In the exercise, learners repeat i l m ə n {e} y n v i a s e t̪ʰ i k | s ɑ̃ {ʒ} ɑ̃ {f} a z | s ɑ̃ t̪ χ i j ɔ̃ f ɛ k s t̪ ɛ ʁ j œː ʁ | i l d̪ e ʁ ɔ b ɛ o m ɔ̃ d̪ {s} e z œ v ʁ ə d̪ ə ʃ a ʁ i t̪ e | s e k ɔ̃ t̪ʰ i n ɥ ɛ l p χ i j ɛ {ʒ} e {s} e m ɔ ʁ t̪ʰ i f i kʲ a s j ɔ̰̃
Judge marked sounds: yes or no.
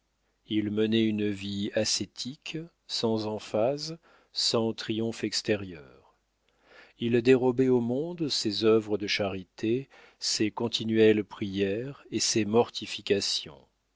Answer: no, no, yes, yes, no, yes

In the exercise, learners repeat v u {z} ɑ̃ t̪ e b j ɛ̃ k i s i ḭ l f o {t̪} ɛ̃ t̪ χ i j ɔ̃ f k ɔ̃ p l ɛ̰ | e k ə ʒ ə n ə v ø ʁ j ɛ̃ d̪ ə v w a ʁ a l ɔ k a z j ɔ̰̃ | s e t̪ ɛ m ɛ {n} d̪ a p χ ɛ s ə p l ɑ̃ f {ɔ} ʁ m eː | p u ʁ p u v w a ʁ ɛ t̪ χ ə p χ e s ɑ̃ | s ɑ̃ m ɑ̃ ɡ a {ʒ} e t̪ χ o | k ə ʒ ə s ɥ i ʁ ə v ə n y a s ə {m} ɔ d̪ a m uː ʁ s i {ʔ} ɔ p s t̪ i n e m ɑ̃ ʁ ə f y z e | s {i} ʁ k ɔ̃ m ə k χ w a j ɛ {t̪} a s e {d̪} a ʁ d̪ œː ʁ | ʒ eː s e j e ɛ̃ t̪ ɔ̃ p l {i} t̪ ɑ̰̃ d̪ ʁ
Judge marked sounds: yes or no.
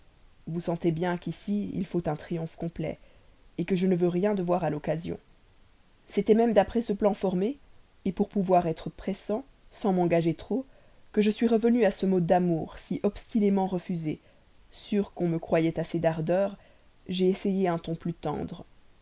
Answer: no, yes, no, yes, yes, yes, yes, no, yes, yes, no

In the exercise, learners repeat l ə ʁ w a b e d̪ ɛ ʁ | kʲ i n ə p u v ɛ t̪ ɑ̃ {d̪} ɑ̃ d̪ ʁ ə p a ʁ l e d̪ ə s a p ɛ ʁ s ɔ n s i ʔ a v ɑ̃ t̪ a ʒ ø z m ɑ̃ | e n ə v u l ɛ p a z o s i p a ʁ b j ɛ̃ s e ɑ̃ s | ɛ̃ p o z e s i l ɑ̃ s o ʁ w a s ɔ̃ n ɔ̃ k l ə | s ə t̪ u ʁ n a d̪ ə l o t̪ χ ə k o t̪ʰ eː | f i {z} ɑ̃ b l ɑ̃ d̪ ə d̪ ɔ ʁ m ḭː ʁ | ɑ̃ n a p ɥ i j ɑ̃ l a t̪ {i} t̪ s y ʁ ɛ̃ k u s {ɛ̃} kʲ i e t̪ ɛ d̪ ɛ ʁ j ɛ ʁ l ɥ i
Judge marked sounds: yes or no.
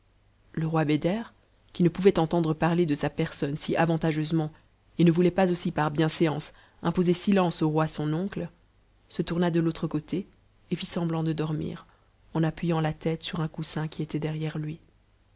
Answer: no, no, no, yes

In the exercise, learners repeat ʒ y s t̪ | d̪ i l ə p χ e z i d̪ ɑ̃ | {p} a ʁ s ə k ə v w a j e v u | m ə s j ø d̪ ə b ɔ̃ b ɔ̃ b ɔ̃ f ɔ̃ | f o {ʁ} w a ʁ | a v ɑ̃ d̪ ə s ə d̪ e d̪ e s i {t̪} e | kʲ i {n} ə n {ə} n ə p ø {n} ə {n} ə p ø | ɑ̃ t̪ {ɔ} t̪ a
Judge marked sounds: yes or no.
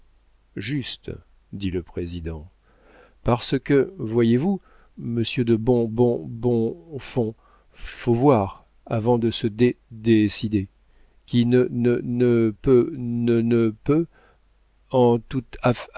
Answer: yes, no, no, yes, yes, yes, yes, no

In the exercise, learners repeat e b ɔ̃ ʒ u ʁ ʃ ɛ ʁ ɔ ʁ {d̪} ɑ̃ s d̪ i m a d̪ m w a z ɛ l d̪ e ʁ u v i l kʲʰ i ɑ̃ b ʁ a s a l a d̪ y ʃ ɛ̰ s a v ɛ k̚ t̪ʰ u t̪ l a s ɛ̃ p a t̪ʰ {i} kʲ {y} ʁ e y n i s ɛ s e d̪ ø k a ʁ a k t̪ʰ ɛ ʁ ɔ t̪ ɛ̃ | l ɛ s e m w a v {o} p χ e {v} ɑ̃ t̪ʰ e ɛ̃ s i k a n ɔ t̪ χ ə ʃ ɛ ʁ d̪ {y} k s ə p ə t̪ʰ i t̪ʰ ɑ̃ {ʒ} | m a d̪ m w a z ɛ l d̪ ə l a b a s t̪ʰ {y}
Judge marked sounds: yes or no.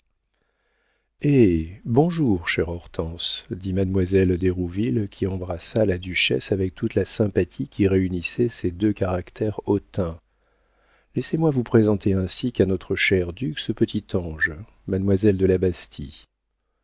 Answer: no, yes, no, no, no, yes, yes, no

